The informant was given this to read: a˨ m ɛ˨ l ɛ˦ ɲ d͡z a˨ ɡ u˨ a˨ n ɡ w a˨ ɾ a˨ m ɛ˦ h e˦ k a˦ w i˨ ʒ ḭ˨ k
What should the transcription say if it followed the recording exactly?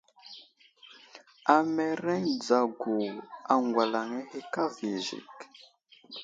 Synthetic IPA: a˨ m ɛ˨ ɾ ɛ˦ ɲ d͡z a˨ ɡ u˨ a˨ ŋ ɡ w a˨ l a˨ ŋ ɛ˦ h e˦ k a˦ v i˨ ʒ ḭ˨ k